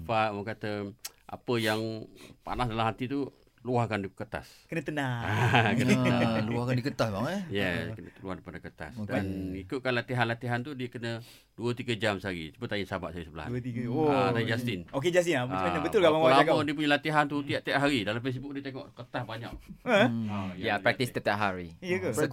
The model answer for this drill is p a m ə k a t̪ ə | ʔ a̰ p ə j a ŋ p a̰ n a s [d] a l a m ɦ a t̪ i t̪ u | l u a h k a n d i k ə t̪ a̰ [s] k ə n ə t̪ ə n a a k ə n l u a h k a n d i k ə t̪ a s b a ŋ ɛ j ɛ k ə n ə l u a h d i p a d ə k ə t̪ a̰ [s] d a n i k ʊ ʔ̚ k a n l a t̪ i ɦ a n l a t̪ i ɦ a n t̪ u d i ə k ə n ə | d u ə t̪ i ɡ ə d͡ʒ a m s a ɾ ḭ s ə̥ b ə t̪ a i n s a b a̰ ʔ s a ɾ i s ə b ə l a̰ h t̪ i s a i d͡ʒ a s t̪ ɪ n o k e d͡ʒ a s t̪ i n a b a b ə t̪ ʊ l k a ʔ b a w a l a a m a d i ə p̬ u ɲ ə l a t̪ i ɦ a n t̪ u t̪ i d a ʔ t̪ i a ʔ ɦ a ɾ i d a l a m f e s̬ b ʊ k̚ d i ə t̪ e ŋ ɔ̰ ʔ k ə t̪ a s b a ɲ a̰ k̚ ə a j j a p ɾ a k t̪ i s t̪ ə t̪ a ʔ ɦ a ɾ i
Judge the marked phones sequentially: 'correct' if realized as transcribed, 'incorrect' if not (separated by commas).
correct, correct, correct